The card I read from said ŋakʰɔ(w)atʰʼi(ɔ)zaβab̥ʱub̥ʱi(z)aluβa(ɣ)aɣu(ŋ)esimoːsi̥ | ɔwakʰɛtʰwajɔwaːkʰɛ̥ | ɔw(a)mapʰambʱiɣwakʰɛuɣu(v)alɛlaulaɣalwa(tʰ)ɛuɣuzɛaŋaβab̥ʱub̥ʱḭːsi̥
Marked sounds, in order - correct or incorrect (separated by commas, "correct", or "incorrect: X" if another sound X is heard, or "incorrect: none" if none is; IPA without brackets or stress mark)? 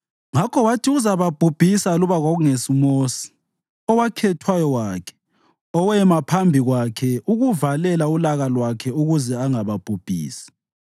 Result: correct, incorrect: u, incorrect: s, correct, correct, incorrect: ɛ, correct, incorrect: kʰ